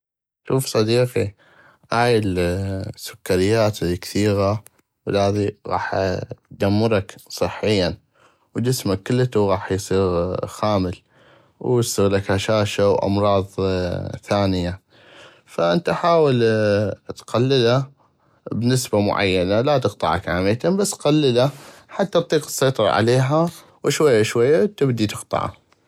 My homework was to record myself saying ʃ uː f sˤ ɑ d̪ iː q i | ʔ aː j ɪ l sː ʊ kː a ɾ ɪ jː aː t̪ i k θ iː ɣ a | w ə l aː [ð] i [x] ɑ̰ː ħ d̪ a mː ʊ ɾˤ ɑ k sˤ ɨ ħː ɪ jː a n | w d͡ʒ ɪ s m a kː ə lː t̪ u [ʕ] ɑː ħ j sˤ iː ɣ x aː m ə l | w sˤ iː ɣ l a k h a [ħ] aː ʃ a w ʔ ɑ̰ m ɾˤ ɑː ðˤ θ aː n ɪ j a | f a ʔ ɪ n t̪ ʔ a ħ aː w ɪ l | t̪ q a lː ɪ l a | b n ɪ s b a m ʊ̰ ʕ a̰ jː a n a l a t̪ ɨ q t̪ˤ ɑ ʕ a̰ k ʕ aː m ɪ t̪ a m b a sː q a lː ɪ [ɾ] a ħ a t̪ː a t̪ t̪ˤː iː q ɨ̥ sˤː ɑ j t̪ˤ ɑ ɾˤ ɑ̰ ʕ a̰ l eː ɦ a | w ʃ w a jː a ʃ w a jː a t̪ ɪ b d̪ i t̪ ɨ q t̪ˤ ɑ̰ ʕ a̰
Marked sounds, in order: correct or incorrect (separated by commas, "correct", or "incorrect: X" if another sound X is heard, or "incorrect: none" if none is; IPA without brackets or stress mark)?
correct, incorrect: ɣ, incorrect: ɣ, incorrect: ʃ, incorrect: l